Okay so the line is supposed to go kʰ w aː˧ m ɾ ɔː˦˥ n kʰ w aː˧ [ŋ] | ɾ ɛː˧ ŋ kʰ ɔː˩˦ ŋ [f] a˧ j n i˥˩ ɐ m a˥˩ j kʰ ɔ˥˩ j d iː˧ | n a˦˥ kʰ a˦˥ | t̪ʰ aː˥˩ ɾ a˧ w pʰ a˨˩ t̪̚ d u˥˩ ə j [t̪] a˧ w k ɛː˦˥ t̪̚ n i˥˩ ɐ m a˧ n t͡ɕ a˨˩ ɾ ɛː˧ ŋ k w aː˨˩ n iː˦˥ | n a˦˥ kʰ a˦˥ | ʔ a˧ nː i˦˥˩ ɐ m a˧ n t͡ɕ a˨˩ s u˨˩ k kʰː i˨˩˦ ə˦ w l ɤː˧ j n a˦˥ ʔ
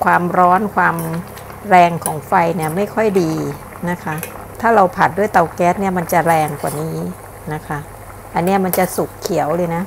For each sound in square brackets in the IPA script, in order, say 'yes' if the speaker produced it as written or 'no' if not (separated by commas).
no, yes, yes